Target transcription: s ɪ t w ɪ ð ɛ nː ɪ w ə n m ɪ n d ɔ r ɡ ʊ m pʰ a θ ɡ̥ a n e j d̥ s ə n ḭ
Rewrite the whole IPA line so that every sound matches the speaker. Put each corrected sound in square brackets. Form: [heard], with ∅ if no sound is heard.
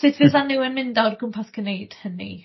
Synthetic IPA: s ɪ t [v] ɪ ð [a] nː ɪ w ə n m ɪ n d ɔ r ɡ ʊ m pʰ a θ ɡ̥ [ə] n e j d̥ [h] ə n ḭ